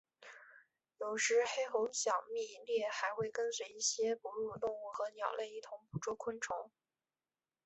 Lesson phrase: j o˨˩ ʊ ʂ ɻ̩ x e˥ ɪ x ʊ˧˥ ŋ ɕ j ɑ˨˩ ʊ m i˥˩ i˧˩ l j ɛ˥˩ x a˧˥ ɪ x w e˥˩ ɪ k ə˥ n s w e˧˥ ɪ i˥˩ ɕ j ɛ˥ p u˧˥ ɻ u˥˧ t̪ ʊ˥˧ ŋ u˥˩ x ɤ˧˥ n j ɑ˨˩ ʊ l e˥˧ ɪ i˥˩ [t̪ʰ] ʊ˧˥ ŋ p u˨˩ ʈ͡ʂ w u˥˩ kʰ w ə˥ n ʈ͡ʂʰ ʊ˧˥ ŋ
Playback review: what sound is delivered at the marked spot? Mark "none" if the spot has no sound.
t̪ʰ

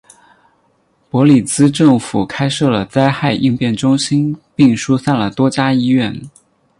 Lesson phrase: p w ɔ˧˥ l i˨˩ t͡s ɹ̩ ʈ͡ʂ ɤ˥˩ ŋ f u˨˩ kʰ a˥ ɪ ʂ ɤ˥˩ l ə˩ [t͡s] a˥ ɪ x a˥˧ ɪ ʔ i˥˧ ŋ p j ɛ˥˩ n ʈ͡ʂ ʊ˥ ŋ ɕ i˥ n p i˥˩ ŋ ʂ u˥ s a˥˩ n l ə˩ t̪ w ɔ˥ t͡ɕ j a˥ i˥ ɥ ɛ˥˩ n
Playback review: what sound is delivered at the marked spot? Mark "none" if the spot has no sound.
t͡s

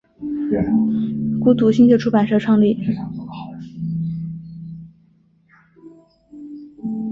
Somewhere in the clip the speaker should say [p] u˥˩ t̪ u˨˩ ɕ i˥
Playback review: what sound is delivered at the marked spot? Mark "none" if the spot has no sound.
k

